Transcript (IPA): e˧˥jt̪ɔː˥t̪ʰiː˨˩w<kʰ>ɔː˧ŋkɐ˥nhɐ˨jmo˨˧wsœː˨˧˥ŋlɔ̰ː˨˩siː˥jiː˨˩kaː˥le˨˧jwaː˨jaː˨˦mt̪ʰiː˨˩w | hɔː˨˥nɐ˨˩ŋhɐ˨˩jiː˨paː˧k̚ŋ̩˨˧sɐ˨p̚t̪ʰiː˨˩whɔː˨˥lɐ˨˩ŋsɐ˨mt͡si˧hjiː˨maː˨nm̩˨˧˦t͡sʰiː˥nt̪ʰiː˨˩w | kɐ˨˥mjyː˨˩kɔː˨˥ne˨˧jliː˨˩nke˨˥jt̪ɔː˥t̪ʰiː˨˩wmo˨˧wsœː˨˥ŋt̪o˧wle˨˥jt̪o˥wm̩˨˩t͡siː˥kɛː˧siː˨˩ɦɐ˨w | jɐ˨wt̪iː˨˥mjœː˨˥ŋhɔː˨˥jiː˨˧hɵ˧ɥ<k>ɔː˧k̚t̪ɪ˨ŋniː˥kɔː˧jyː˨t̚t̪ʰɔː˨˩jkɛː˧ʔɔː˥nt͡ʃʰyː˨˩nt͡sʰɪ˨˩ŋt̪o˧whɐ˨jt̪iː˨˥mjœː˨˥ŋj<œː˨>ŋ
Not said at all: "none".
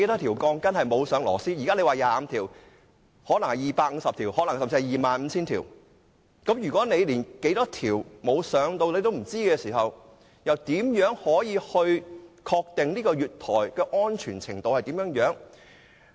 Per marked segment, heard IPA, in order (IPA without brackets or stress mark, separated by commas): k, kʰ, œː˨˥